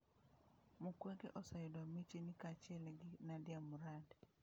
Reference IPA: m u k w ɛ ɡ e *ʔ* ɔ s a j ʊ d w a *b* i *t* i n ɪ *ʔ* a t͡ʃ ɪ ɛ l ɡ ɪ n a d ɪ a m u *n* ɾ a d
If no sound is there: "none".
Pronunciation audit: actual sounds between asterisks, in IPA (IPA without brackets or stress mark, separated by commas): ʔ, m, t͡ʃ, k, none